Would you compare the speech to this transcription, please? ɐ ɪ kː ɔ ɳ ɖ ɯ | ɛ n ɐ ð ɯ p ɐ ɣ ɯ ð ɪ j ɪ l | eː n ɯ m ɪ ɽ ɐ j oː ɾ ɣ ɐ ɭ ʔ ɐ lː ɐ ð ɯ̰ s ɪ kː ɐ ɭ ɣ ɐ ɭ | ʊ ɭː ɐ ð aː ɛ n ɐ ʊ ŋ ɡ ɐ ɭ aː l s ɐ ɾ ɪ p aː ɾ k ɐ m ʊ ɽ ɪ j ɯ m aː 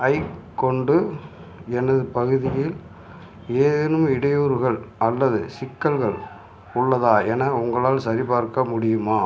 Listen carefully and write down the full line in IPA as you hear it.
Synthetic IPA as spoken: ɐ ɪ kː ɔ ɳ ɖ ɯ | ɛ n ɐ ð ɯ p ɐ ɣ ɯ ð ɪ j ɪ l | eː n ɯ m ɪ ɽ ɐ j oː ɾ ɣ ɐ ɭ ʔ ɐ lː ɐ ð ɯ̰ s ɪ kː ɐ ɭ ɣ ɐ ɭ | ʊ ɭː ɐ ð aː ɛ n ɐ ʊ ŋ ɡ ɐ ɭ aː l s ɐ ɾ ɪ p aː ɾ k ɐ m ʊ ɽ ɪ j ɯ m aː

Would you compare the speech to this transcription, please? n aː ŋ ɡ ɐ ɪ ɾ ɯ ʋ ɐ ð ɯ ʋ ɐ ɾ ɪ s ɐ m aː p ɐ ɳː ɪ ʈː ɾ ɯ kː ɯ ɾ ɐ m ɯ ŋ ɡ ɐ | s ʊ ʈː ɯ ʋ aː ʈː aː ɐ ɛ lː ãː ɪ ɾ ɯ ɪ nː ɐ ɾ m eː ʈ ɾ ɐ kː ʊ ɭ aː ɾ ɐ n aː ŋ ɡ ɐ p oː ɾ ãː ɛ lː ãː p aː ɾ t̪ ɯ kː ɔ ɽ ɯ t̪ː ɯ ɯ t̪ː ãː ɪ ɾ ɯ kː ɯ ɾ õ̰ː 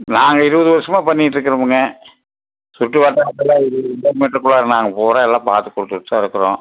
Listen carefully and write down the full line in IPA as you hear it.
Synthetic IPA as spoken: n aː ŋ ɡ ɐ ɪ ɾ ɯ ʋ ɐ ð ɯ ʋ ɐ ɾ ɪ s ɐ m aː p ɐ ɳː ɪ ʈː ɾ ɯ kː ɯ ɾ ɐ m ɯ ŋ ɡ ɐ | s ʊ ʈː ɯ ʋ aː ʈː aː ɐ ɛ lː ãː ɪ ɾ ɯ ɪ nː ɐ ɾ m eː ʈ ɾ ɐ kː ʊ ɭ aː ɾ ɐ n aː ŋ ɡ ɐ p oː ɾ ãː ɛ lː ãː p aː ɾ t̪ ɯ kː ɔ ɽ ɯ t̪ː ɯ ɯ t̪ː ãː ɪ ɾ ɯ kː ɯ ɾ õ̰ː

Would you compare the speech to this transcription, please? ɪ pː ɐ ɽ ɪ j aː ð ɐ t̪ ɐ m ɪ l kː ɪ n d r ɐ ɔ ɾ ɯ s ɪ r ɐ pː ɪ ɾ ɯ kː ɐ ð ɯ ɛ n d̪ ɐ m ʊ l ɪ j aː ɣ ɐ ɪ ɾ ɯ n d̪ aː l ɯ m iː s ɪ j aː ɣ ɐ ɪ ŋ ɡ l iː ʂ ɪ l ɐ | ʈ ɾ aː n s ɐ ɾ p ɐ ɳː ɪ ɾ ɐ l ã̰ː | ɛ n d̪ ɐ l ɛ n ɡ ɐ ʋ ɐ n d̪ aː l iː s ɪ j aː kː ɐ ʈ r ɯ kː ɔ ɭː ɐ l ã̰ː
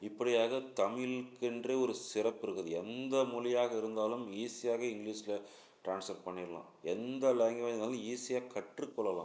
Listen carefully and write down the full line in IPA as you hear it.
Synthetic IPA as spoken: ɪ pː ɐ ɽ ɪ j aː ɣ ɐ t̪ ɐ m ɪ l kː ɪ n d r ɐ ɔ ɾ ɯ s ɪ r ɐ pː ɪ ɾ ɯ kː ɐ ð ɯ ɛ n d̪ ɐ m ʊ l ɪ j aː ɣ ɐ ɪ ɾ ɯ n d̪ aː l ɯ m iː s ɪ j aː ɣ ɐ ɪ ŋ ɡ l iː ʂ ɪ l ɐ | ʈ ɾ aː n s ɐ ɾ p ɐ ɳː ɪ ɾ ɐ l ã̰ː | ɛ n d̪ ɐ l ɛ ŋ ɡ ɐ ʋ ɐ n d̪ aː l iː s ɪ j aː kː ɐ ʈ r ɯ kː ɔ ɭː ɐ l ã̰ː

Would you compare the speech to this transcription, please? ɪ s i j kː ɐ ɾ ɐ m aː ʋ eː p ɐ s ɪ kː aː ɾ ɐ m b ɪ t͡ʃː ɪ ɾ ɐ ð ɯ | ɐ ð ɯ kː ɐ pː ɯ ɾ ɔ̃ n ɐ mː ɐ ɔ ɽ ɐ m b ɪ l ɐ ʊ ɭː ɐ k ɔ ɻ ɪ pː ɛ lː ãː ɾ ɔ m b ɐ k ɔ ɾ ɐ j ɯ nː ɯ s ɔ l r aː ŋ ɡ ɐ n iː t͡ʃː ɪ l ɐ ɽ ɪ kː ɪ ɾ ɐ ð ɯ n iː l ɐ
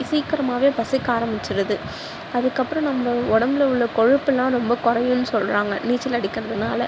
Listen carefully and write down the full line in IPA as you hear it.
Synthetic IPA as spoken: ɪ s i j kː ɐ ɾ ɐ m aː ʋ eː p ɐ s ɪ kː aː ɾ ɐ m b ɪ t͡ʃː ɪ ɾ ɐ ð ɯ | ɐ ð ɯ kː ɐ pː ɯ ɾ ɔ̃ n ɐ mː ɐ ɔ ɽ ɐ m b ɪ l ɐ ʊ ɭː ɐ k ɔ ɻ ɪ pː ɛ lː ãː ɾ ɔ m b ɐ k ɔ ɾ ɐ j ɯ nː ɯ s ɔ l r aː ŋ ɡ ɐ n iː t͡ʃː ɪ l ɐ ɽ ɪ kː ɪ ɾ ɐ ð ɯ n aː l ɐ

